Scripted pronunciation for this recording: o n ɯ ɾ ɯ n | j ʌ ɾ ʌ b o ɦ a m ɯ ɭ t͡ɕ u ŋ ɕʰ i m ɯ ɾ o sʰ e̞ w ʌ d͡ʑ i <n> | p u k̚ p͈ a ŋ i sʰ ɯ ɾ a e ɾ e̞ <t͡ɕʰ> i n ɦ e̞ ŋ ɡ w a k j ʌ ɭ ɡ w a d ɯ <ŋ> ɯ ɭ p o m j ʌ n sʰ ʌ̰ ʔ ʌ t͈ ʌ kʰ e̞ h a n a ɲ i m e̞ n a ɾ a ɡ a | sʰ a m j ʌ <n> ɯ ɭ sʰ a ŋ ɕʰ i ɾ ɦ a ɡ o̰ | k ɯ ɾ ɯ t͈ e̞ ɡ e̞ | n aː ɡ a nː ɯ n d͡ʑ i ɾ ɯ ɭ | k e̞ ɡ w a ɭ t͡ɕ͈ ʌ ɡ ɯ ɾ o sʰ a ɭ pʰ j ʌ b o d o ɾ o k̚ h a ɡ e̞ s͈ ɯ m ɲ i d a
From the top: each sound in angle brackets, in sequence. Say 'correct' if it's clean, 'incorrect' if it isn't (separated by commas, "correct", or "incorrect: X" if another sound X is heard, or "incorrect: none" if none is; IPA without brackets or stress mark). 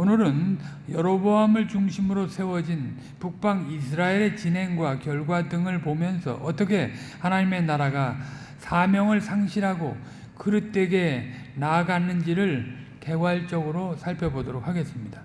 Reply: correct, incorrect: t͡ɕ, correct, incorrect: ŋ